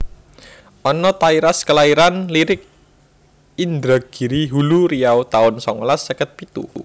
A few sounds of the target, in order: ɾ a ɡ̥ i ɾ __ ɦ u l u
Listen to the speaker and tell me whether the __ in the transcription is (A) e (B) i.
B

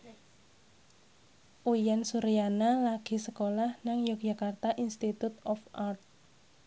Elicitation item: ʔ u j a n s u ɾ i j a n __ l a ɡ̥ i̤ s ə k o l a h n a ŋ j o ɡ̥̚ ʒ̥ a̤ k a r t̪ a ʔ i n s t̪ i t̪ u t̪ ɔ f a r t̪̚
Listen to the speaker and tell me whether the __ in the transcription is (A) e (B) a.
B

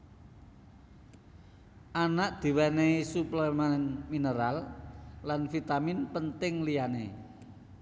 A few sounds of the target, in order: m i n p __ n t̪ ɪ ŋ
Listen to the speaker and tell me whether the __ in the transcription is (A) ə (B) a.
A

